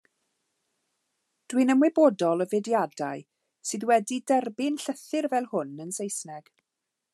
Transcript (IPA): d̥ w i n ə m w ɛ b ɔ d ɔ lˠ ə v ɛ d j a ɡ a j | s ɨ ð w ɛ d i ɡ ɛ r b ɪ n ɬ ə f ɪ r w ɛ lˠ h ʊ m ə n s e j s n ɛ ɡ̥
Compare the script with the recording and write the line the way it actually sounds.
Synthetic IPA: d̥ w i n ə m w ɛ b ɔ d ɔ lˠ ə v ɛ d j a d a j | s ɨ ð w ɛ d i d ɛ r b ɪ n ɬ ə θ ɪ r v ɛ lˠ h ʊ n ə n s e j s n ɛ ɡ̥